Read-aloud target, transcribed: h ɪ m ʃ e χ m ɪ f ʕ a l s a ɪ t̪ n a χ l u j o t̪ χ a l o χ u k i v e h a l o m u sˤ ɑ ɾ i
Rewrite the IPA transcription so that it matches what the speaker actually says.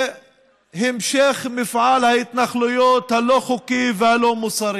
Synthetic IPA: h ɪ m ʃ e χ m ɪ f ʕ a l h a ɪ t̪ n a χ l u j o t̪ h a l o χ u k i v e h a l o m u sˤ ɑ ɾ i